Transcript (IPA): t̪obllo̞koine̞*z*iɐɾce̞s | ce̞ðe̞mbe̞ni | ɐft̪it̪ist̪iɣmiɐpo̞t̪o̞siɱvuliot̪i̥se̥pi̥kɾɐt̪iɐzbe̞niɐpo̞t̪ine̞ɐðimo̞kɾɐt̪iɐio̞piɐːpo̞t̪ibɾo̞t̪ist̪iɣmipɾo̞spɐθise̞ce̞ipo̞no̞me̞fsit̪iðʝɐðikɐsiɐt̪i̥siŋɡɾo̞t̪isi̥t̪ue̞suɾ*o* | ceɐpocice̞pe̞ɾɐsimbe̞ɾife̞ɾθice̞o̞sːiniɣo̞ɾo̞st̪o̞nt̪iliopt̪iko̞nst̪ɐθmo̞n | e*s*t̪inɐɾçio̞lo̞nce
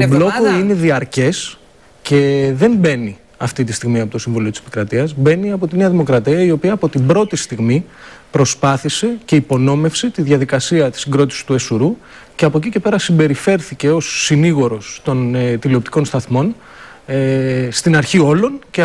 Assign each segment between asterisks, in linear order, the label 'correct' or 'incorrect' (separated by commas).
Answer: incorrect, incorrect, correct